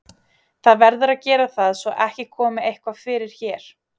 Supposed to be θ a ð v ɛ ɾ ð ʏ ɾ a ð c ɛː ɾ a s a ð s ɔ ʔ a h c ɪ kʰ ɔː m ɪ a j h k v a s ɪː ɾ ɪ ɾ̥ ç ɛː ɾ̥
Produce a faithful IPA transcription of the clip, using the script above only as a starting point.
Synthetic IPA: θ a ð v ɛ ɾ ð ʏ ɾ a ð c ɛː ɾ a θ a ð s ɔ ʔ ɛ h c ɪ kʰ ɔː m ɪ e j h k v a f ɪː ɾ ɪ ɾ̥ ç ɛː ɾ̥